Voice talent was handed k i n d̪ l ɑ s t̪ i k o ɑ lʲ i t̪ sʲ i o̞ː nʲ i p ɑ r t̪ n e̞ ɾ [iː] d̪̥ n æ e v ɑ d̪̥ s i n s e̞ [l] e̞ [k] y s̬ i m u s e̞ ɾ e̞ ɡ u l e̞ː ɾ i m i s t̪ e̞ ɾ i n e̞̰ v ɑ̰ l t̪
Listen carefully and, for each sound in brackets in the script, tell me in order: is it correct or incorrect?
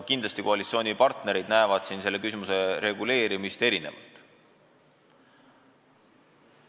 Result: incorrect, incorrect, correct

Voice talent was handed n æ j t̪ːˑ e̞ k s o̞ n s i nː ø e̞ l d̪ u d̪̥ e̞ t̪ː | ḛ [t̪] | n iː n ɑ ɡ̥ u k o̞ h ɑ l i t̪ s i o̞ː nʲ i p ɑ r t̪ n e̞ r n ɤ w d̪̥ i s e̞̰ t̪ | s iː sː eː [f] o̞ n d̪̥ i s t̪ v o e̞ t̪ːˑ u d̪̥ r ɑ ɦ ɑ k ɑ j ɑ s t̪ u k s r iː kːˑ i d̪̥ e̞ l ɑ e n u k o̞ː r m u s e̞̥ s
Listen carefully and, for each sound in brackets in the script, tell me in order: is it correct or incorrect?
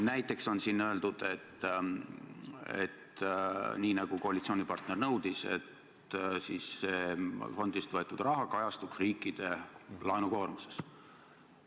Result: correct, correct

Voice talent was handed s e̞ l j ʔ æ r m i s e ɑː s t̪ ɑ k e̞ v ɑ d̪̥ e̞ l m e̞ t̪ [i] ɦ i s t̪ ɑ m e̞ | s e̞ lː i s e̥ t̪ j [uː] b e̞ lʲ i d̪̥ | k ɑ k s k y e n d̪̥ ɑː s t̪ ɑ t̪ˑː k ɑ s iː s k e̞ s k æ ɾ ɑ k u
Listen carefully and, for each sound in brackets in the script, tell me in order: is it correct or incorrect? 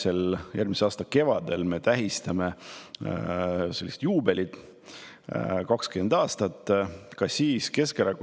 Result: incorrect, correct

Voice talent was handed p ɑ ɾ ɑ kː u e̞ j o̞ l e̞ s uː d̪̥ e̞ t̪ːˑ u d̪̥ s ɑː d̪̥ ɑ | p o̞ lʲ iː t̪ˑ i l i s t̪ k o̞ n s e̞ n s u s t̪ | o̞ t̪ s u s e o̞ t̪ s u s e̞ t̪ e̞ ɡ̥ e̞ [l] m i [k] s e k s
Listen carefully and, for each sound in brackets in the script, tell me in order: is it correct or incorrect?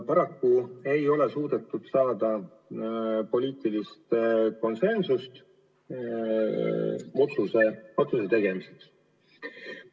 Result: incorrect, incorrect

